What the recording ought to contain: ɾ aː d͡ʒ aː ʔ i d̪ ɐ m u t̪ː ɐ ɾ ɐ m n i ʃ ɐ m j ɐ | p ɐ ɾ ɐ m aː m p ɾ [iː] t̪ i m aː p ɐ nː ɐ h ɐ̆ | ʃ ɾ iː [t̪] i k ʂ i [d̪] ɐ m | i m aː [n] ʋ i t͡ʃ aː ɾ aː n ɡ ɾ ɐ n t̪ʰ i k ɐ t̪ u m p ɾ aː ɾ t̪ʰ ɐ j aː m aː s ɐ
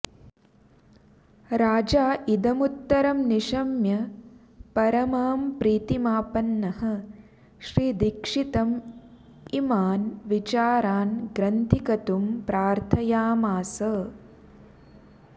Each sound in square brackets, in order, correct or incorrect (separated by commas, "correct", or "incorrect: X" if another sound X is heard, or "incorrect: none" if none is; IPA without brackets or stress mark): correct, incorrect: d̪, incorrect: t̪, correct